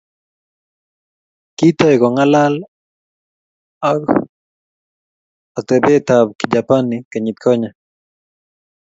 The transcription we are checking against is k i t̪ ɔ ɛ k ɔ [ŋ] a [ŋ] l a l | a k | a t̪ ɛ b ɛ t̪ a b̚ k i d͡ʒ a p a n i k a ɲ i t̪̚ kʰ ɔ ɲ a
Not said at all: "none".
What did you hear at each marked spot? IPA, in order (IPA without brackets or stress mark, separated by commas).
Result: ŋ, none